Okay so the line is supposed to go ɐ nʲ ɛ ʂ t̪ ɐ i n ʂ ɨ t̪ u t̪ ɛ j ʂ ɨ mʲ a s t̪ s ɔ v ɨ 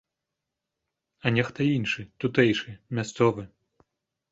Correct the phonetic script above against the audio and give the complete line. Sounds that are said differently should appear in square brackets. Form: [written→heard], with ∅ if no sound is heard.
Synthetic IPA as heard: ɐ nʲ ɛ [ʂ→x] t̪ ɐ i n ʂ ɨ t̪ u t̪ ɛ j ʂ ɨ mʲ a s t̪ s ɔ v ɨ